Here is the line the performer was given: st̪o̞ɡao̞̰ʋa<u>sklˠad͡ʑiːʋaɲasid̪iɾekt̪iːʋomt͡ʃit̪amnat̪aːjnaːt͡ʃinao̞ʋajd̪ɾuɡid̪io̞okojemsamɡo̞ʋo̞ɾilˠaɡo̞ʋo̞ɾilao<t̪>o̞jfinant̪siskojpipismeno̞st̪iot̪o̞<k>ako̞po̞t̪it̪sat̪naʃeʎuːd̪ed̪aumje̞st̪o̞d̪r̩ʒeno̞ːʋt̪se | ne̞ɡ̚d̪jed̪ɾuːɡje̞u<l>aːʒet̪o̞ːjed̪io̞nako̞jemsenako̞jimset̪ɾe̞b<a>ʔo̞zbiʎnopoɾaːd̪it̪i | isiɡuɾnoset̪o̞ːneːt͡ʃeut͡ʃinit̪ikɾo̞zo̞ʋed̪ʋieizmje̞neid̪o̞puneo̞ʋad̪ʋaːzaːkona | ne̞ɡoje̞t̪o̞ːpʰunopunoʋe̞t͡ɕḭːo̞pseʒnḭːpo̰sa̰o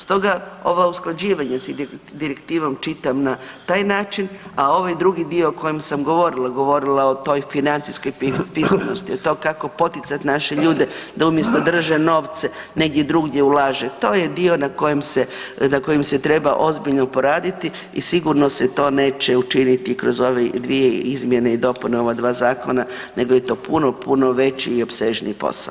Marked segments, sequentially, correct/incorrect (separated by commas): correct, correct, correct, correct, correct